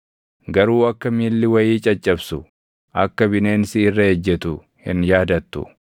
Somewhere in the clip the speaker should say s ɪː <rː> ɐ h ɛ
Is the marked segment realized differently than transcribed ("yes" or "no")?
no